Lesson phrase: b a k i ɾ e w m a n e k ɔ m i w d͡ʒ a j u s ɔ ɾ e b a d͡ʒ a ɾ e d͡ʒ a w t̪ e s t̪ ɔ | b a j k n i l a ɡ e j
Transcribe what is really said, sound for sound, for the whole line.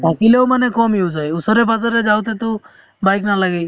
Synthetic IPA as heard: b a k i l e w m a n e k ɔ m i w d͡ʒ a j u s ɔ ɾ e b a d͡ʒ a ɾ e d͡ʒ a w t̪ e t̪ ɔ | b a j k n a l a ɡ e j